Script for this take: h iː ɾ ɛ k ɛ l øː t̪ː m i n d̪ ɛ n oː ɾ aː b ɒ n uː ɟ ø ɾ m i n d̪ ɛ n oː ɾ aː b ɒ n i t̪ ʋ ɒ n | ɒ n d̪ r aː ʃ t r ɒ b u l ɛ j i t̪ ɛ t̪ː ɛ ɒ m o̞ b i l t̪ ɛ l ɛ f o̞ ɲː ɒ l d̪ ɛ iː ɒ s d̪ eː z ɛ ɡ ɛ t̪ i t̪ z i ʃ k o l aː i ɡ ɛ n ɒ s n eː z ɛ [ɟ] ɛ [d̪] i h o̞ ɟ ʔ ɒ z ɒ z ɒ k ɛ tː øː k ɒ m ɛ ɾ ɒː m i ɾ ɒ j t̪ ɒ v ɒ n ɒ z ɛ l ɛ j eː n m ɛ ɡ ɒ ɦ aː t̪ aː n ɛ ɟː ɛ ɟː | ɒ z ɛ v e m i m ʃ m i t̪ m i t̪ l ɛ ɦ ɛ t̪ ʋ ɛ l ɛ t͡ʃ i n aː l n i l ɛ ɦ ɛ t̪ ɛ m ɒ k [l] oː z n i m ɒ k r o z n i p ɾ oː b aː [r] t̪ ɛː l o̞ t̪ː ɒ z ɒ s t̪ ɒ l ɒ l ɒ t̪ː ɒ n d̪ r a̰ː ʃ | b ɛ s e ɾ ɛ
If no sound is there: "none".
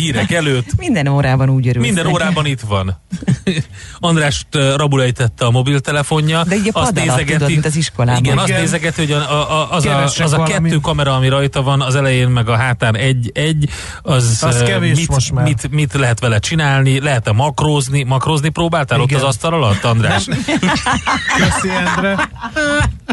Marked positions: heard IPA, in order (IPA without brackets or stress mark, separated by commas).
ɡ, t̪, r, l